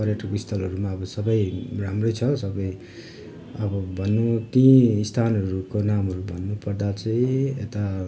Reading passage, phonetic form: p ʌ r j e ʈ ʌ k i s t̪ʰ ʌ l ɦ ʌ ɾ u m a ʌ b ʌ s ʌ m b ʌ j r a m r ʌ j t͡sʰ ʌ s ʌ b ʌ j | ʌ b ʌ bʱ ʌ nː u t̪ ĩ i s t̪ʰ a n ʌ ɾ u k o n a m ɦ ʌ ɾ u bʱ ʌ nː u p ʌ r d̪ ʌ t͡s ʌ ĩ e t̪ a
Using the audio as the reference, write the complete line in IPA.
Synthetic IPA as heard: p ʌ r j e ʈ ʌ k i s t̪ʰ ʌ l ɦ ʌ ɾ u m a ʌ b ʌ s ʌ b ʌ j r a m r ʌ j t͡sʰ ʌ s ʌ b ʌ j | ʌ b ʌ bʱ ʌ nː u t̪ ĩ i s t̪ʰ a n ʌ ɾ u k o n a m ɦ ʌ ɾ u bʱ ʌ nː u p ʌ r d̪ a t͡s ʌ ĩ e t̪ a